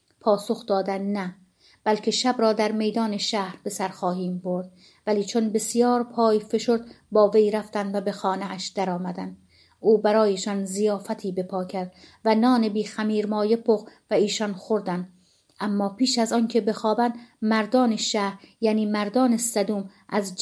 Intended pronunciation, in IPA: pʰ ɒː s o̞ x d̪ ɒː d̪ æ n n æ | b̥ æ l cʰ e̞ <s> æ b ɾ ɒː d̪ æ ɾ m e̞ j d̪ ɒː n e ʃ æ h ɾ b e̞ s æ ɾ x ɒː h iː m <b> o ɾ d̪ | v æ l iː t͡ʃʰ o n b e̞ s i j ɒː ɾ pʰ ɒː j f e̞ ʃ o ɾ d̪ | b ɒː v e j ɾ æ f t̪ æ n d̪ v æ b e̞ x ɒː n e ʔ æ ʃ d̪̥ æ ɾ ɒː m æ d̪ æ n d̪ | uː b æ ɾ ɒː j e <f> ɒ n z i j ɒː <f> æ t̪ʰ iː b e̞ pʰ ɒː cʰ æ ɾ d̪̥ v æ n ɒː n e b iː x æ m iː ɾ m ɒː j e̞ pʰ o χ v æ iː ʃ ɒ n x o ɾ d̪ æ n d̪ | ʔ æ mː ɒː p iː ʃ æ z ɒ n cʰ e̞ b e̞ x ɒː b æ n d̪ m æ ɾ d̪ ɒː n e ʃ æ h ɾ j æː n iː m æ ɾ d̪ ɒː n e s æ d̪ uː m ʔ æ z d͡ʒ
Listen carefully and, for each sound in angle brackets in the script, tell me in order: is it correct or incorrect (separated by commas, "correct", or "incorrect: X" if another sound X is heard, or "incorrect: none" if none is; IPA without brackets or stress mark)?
incorrect: ʃ, correct, incorrect: ʃ, correct